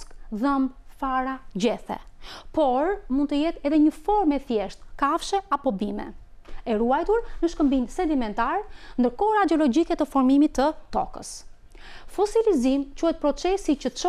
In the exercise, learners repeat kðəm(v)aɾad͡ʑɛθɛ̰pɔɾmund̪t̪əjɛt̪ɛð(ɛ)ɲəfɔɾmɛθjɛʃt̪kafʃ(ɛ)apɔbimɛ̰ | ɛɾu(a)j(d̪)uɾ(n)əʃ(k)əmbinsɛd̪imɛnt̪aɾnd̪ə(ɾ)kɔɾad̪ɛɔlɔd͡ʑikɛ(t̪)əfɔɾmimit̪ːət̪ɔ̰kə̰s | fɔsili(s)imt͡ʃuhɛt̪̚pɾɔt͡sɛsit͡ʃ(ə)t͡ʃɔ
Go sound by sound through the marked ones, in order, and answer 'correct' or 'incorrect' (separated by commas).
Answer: incorrect, correct, correct, correct, incorrect, correct, correct, correct, correct, incorrect, correct